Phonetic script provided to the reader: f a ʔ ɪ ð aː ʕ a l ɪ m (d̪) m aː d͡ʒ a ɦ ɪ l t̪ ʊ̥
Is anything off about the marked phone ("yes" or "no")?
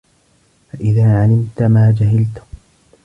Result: yes